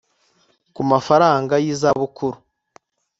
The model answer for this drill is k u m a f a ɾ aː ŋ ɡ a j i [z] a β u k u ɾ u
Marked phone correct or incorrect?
correct